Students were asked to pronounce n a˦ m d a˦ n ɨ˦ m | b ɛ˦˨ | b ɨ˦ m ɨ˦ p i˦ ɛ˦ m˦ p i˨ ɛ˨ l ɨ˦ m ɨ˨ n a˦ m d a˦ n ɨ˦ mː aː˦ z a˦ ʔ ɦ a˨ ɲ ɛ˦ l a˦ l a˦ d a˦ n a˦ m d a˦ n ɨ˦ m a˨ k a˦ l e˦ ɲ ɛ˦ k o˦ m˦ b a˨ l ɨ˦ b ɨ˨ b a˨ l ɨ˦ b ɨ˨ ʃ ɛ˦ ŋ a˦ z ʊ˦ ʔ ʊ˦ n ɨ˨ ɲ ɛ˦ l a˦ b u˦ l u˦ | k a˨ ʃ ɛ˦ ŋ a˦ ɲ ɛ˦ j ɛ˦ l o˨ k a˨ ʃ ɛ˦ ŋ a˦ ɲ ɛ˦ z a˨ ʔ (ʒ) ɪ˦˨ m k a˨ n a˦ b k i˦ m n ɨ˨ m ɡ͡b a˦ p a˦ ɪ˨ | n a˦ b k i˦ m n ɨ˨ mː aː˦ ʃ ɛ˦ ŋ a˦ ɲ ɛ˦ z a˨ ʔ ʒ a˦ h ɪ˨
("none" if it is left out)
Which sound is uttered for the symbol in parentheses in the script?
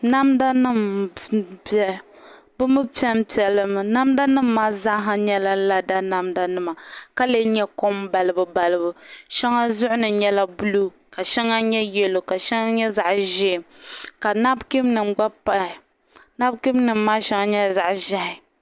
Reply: ʒ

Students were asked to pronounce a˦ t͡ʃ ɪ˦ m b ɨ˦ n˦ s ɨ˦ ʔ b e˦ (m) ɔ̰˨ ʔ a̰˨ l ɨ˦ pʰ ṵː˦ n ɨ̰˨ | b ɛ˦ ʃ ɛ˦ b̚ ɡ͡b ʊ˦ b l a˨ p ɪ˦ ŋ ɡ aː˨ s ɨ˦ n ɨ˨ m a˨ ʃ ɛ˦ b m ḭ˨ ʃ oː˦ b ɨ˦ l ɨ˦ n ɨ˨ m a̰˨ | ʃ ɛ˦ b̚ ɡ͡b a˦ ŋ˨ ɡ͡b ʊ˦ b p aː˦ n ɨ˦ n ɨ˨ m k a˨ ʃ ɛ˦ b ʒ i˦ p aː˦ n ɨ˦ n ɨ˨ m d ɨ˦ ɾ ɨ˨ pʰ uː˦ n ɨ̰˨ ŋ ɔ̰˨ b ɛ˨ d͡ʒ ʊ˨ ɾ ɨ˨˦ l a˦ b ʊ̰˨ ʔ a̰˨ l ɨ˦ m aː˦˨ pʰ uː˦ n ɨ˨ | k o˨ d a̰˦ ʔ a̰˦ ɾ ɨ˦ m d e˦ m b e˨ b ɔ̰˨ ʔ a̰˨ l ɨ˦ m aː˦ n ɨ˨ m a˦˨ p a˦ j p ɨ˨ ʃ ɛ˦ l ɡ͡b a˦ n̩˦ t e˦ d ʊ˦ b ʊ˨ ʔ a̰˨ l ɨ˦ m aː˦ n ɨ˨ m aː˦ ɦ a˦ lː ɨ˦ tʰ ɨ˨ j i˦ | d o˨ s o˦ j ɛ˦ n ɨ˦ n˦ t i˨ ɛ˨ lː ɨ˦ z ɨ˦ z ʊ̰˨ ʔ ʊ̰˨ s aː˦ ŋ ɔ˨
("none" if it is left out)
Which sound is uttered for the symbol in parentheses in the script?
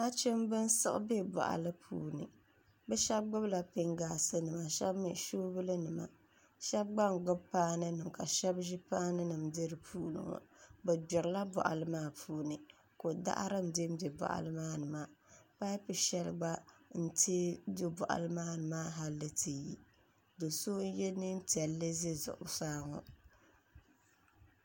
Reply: b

